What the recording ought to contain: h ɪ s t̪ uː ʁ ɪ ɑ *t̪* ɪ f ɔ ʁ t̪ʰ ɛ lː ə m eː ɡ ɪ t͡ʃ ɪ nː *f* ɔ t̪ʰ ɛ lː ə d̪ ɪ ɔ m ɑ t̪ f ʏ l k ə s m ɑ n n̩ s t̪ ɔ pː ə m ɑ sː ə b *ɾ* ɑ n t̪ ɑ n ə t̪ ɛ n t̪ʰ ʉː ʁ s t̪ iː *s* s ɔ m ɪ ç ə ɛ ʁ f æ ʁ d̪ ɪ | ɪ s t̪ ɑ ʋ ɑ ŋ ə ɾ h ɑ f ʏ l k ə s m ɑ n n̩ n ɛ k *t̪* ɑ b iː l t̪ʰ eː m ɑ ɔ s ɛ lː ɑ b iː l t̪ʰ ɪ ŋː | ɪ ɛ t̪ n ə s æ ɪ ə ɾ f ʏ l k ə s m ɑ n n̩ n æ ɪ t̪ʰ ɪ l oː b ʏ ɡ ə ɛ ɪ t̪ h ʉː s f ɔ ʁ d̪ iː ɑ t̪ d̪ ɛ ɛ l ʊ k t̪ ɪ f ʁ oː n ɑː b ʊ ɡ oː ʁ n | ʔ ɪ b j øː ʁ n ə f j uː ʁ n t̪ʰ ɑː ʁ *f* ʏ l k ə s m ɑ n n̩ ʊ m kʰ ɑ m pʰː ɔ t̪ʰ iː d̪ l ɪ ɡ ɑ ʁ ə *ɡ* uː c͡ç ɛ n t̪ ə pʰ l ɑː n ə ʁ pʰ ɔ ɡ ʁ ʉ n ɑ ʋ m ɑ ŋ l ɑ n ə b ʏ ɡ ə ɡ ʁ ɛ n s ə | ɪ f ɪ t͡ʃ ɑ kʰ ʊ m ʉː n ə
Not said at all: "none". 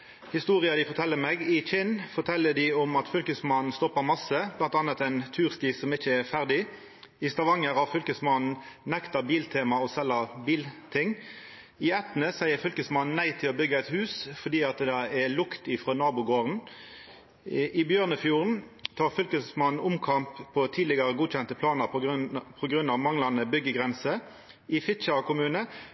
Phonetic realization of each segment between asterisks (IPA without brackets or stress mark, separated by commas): d̪, f, l, s, t̪, f, ɡ